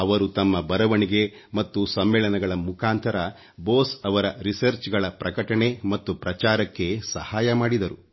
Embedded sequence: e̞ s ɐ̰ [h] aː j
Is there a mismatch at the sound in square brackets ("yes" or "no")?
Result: no